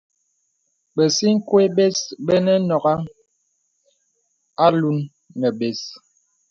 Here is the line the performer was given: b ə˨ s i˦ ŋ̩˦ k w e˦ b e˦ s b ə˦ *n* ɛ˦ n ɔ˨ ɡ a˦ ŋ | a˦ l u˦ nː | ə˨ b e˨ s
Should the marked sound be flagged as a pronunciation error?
no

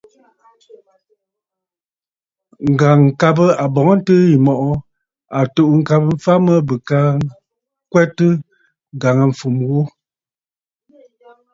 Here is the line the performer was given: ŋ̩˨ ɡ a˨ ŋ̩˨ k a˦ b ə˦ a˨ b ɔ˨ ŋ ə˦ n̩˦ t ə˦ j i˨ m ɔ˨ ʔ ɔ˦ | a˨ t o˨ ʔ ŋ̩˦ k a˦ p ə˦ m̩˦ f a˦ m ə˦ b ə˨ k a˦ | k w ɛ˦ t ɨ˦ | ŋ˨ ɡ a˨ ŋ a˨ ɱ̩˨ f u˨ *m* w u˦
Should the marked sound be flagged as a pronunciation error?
no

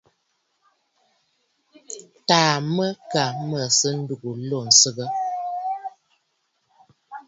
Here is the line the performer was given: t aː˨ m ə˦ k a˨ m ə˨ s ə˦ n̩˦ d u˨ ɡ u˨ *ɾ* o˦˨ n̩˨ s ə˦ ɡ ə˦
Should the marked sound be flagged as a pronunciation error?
yes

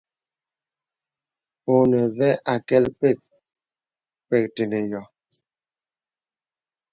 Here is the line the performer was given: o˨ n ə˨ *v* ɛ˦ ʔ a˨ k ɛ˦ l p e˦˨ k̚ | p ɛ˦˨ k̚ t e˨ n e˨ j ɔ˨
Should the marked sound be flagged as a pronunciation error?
no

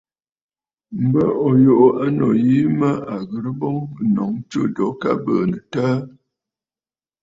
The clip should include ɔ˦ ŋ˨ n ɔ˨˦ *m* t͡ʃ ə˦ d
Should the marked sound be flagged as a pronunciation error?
yes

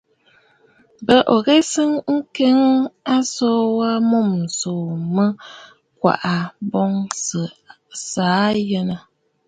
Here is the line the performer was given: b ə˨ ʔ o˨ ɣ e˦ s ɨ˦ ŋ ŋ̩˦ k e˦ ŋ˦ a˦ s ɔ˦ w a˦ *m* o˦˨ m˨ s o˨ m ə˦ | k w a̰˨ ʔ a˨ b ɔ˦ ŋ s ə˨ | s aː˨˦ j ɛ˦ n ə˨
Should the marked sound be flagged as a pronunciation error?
no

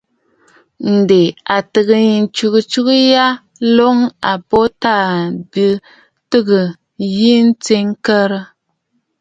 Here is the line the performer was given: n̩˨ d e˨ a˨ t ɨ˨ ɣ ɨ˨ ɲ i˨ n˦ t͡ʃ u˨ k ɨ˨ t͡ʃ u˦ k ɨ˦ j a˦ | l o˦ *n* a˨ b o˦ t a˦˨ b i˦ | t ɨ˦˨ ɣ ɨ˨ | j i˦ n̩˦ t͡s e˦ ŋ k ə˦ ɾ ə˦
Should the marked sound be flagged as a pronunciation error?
yes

